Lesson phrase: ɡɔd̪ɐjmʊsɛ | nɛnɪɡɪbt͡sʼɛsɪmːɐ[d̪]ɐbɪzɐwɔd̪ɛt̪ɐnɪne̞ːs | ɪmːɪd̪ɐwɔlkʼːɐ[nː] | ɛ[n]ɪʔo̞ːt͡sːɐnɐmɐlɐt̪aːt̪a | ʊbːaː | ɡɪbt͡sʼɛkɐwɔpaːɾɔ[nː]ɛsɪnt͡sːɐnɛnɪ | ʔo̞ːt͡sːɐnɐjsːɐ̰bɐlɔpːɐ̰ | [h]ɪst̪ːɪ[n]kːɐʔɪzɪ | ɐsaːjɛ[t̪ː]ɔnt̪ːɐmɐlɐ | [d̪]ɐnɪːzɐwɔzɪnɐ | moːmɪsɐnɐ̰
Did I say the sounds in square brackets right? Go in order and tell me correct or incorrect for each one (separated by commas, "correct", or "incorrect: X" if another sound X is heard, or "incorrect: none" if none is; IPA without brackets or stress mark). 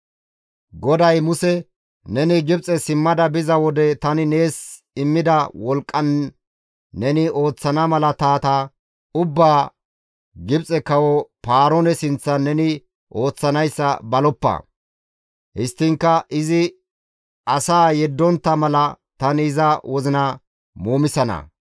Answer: correct, correct, correct, incorrect: n, correct, incorrect: ŋ, incorrect: d̪ː, incorrect: t̪